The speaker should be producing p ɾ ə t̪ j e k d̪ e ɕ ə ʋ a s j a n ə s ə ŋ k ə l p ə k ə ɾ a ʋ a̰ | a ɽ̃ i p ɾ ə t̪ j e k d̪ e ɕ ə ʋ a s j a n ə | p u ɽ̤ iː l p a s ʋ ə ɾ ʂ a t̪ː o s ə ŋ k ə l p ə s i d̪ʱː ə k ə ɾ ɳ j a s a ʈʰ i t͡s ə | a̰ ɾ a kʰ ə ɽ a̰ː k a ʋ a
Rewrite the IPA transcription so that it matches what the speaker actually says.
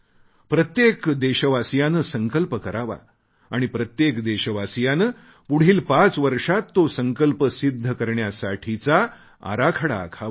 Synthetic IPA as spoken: p ɾ ə t̪ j e k d̪ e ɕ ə ʋ a s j a n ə s ə ŋ k ə l p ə k ə ɾ a ʋ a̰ | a ɽ̃ i p ɾ ə t̪ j e k d̪ e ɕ ə ʋ a s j a n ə | p u ɽ̤ iː l p a t͡s ʋ ə ɾ ʂ a t̪ː o s ə ŋ k ə l p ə s i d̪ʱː ə k ə ɾ ɳ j a s a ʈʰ i t͡s a | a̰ ɾ a kʰ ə ɽ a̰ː kʰ a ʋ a